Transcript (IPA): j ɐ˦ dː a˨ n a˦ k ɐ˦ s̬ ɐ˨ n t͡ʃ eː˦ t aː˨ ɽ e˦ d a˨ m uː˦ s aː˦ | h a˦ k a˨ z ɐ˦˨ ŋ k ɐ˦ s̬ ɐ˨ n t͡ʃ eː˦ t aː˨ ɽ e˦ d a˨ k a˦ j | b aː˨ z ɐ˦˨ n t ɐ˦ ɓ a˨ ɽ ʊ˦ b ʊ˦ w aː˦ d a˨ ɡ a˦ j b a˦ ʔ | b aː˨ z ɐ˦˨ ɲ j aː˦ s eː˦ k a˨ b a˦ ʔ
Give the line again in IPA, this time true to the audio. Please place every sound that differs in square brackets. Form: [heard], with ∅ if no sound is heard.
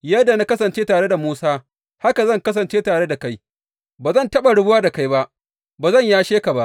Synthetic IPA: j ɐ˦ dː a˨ n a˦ k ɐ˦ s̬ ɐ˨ n t͡ʃ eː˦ t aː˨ ɽ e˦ d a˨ m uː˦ s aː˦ | h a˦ k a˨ z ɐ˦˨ ŋ k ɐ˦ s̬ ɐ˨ n t͡ʃ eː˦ t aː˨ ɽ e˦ d a˨ k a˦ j | b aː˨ z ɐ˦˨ n t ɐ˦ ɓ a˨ ɽ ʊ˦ b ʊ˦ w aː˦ d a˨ [k] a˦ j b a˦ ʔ | b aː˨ z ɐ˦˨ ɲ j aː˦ [ʃ] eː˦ k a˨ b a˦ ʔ